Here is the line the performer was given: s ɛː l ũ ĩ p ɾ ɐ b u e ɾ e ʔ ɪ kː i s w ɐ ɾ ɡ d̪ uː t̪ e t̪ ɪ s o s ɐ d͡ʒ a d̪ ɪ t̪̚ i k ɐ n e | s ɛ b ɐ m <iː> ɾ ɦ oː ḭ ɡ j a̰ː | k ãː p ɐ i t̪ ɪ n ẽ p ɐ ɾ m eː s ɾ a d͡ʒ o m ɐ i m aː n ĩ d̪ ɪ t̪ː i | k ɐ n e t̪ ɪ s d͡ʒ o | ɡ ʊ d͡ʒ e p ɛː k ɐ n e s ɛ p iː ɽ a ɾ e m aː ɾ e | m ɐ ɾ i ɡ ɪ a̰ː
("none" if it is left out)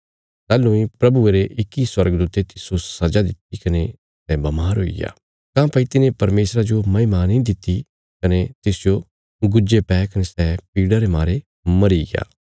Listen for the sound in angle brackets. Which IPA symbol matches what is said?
aː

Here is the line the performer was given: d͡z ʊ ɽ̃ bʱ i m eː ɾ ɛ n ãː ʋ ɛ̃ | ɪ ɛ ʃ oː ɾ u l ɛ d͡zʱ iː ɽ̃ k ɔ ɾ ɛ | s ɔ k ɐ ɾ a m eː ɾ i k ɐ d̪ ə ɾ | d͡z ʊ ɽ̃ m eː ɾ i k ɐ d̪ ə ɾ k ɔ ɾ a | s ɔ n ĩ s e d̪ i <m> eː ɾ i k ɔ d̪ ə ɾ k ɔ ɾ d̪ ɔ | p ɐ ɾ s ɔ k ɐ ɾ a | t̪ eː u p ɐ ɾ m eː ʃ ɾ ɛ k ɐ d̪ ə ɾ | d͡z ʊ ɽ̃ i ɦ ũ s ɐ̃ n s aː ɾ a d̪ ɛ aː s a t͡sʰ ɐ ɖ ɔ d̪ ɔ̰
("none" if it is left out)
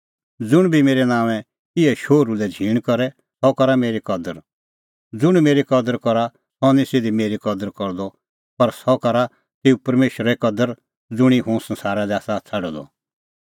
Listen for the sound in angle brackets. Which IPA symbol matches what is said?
m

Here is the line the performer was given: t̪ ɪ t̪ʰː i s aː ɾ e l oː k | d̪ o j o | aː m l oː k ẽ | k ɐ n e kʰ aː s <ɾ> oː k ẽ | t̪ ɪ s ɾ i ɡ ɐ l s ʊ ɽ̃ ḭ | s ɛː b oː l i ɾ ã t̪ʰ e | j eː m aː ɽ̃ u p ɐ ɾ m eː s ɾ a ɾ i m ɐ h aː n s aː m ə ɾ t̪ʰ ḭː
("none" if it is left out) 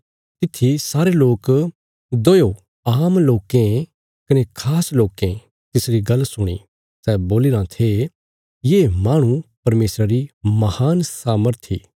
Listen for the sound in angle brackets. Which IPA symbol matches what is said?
l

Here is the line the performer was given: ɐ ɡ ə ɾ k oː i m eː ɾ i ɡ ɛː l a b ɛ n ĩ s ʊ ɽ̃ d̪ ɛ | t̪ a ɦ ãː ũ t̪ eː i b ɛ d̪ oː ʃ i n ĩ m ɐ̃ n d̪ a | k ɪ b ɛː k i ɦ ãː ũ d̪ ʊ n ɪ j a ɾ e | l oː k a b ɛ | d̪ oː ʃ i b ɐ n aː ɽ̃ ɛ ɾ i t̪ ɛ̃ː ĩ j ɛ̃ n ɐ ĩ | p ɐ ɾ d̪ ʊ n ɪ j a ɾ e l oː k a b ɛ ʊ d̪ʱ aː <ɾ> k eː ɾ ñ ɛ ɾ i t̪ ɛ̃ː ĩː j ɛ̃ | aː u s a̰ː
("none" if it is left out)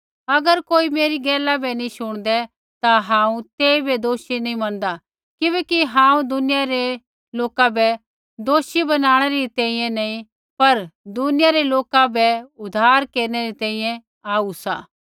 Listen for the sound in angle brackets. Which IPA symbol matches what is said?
ɾ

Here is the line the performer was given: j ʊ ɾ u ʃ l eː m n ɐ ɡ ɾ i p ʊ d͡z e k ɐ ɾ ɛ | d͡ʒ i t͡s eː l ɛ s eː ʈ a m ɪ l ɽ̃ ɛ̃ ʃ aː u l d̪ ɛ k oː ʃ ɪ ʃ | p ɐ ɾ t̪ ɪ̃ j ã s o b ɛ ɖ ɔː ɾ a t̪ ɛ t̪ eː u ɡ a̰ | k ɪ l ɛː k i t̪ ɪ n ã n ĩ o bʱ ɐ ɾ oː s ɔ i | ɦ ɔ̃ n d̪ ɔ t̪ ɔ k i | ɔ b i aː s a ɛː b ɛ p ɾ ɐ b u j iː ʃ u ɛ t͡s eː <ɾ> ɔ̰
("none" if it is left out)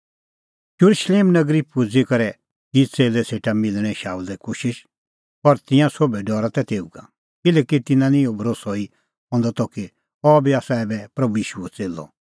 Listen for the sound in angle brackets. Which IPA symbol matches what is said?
l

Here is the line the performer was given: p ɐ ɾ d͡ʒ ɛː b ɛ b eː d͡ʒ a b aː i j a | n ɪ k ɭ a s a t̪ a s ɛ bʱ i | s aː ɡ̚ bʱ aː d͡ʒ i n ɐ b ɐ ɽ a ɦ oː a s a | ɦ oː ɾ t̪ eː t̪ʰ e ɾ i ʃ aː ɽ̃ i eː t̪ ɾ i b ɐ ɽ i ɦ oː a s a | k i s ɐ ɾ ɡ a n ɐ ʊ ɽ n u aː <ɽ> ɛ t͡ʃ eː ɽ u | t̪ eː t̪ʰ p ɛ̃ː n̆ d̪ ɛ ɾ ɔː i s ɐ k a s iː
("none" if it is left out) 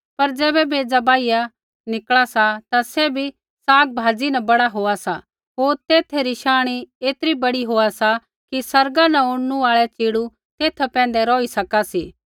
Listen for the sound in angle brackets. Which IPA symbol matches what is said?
ɭ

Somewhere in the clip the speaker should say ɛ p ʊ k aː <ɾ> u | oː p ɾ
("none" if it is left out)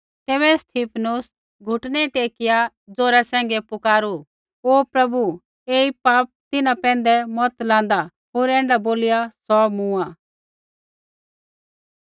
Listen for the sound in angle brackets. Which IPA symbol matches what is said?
ɾ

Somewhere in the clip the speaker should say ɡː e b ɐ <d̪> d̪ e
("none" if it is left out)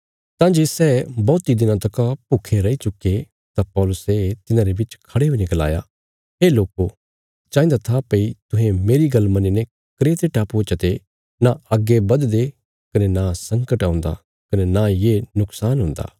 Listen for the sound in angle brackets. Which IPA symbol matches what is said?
d̪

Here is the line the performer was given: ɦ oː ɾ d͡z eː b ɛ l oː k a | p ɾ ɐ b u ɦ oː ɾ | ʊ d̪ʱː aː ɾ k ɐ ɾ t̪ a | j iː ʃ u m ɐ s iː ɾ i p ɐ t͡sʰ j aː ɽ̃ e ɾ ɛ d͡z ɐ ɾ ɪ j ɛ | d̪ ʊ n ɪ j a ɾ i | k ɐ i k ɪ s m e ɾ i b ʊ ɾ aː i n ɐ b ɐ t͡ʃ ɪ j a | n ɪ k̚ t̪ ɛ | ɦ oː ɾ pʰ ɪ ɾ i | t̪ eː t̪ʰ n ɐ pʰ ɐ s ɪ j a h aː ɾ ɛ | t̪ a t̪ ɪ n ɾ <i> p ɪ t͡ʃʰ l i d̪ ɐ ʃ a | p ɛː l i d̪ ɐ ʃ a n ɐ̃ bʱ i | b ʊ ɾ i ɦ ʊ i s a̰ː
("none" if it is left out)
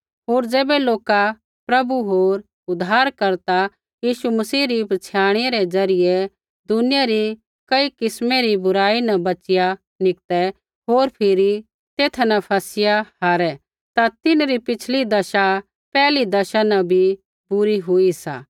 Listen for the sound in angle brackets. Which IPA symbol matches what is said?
i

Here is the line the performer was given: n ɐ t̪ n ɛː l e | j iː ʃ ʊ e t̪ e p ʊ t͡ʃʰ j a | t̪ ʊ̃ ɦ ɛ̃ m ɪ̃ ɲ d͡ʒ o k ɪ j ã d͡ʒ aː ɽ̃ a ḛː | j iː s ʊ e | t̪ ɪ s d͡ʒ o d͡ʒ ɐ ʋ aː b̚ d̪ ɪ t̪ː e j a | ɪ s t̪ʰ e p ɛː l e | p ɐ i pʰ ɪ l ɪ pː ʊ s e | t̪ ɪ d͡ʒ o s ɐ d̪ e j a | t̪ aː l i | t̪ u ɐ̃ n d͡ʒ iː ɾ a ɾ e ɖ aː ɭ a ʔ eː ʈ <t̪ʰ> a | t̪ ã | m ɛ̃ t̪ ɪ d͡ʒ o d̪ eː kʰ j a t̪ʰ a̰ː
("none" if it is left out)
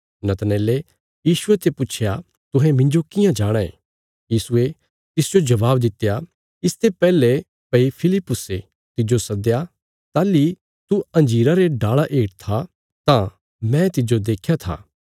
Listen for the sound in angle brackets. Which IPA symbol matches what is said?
t̪ʰ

